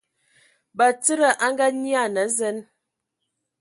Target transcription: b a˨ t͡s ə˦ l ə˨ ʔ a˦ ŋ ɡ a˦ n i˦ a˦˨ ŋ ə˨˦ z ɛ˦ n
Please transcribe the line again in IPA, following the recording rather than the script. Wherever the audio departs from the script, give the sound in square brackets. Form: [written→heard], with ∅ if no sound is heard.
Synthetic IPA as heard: b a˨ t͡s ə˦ [l→ɾ] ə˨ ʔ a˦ ŋ ɡ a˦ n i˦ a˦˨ [ŋ→n] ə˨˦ z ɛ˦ n